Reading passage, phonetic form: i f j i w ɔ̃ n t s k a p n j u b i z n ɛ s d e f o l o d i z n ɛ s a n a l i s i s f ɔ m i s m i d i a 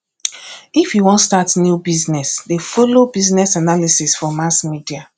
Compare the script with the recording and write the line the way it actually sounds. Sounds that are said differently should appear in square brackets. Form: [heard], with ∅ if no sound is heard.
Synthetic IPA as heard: i f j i w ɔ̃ n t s [t] a [t] n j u b i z n ɛ s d e f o l o [b] i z n ɛ s a n a l i s i s f ɔ m [a] s m i d i a